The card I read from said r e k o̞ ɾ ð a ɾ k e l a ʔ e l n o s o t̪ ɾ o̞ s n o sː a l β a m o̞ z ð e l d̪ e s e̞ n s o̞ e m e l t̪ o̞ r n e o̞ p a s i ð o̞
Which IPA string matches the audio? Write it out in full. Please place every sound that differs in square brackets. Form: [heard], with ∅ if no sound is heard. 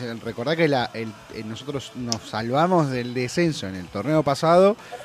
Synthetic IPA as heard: r e k o̞ ɾ ð a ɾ k e l a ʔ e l n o s o t̪ ɾ o̞ s n o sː a l β a m o̞ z ð e l d̪ e s e̞ n s o̞ e [n] e l t̪ o̞ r n e o̞ p a s [a] ð o̞